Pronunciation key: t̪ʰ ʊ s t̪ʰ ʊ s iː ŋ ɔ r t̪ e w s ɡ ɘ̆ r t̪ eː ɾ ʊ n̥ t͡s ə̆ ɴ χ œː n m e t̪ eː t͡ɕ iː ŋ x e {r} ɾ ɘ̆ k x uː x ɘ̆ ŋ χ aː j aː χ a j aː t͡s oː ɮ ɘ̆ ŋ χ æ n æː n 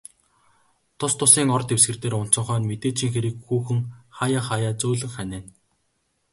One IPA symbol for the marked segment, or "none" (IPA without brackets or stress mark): none